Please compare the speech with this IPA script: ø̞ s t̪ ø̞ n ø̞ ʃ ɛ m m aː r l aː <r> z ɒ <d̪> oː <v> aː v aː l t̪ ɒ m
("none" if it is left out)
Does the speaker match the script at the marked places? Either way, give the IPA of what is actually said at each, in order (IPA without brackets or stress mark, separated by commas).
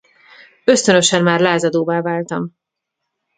none, d̪, v